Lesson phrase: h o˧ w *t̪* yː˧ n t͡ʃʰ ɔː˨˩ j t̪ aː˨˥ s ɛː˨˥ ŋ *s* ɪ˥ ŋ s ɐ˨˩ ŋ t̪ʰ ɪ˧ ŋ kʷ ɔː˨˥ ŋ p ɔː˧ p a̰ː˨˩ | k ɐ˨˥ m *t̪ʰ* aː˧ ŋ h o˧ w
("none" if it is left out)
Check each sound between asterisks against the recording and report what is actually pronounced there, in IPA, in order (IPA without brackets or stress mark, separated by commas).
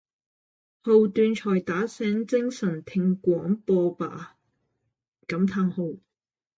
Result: t̪, t͡s, t̪ʰ